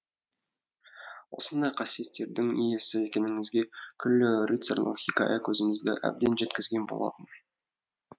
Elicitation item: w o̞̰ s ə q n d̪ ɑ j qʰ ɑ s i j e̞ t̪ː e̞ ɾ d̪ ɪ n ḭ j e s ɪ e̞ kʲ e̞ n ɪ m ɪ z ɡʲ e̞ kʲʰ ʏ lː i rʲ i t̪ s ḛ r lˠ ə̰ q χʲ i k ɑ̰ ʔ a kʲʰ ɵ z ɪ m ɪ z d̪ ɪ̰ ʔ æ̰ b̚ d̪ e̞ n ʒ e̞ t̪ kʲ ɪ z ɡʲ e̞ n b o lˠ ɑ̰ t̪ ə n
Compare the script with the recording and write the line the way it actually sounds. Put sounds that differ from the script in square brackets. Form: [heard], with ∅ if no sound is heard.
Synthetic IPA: w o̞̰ s ə [∅] n d̪ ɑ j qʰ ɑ s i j e̞ t̪ː e̞ ɾ d̪ ɪ [ŋ] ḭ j e s ɪ e̞ kʲ e̞ n ɪ [ŋ] ɪ z ɡʲ e̞ kʲʰ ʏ lː [ɪ] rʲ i t̪ s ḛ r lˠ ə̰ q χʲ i k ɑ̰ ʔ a kʲʰ ɵ z ɪ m ɪ z d̪ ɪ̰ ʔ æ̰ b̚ d̪ e̞ n ʒ e̞ t̪ kʲ ɪ z ɡʲ e̞ n b o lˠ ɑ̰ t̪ ə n